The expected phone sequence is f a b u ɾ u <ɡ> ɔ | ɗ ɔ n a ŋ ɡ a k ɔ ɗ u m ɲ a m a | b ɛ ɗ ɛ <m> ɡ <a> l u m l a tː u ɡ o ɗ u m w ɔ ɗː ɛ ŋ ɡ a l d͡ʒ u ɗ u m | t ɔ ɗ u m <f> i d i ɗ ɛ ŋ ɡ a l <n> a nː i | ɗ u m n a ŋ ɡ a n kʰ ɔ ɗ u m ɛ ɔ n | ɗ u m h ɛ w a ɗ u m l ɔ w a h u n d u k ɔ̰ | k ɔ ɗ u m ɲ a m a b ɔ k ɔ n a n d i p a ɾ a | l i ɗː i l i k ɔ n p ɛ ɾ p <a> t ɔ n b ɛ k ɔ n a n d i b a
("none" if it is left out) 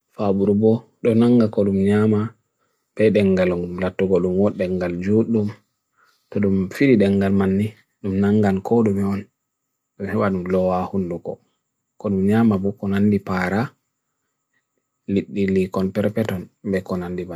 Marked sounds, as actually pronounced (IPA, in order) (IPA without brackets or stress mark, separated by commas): b, ŋ, a, f, m, ɛ